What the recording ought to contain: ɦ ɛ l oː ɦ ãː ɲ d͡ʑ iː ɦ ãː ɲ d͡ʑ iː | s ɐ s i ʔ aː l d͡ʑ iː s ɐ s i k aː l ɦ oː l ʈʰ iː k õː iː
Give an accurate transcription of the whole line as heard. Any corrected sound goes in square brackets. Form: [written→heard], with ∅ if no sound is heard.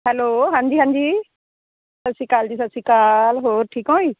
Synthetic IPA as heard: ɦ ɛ l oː ɦ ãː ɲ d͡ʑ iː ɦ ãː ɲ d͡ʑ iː | s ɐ s i [ʔ→k] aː l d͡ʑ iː s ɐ s i k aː l ɦ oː [l→ɾ] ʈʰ iː k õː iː